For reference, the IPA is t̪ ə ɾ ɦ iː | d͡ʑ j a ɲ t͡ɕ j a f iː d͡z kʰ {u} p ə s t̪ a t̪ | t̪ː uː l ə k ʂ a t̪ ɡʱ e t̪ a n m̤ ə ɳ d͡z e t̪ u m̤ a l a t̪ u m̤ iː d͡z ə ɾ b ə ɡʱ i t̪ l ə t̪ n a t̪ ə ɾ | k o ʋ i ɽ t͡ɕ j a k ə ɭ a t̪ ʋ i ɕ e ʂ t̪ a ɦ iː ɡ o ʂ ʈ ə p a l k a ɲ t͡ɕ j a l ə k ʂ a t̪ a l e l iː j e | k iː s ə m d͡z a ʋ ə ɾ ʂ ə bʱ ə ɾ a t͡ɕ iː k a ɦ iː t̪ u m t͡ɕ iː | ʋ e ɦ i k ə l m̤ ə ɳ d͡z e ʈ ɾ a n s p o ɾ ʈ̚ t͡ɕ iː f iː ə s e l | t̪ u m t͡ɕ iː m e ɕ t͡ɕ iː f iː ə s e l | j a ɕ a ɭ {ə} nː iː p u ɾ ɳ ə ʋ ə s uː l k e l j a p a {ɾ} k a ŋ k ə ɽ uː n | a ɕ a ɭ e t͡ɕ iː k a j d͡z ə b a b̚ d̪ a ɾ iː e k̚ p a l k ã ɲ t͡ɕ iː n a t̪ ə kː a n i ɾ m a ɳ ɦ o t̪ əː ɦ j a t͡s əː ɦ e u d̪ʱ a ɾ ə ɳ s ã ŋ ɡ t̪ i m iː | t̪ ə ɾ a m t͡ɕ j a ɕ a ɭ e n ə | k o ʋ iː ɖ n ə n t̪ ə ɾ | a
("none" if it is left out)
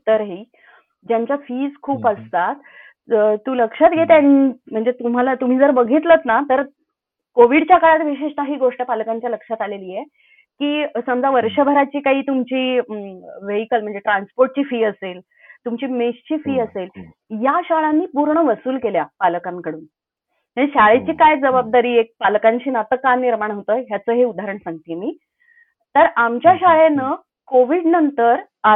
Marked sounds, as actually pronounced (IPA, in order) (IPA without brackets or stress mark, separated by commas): uː, a, l